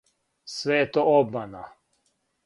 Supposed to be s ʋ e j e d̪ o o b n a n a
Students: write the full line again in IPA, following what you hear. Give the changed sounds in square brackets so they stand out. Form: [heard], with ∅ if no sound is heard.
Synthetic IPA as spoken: s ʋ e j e [t̪] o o b [m] a n a